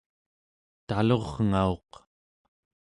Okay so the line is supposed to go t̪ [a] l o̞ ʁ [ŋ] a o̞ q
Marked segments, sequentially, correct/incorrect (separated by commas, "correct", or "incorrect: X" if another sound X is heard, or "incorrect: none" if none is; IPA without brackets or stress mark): correct, correct